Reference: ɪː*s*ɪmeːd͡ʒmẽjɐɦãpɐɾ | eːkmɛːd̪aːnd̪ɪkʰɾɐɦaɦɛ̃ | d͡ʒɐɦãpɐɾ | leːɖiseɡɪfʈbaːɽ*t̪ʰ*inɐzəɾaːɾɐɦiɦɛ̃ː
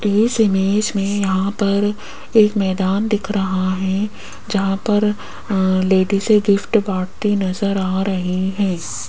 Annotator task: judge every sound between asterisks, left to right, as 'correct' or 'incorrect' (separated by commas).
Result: correct, incorrect